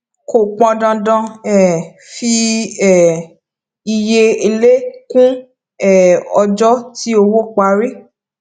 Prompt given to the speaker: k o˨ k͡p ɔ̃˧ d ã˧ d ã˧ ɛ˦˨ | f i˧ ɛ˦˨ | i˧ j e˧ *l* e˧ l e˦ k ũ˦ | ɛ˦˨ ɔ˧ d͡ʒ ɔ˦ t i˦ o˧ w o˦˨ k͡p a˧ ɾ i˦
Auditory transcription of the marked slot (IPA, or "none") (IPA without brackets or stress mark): none